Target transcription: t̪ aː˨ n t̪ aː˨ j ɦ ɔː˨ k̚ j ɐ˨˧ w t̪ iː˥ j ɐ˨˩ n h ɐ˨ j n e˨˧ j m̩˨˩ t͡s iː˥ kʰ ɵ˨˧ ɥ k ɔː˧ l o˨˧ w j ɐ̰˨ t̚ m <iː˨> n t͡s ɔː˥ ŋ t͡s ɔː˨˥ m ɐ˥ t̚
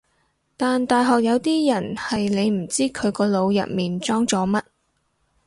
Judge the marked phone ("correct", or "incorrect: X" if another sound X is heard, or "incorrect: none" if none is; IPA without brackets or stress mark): correct